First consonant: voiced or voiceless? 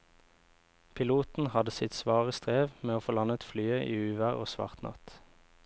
voiceless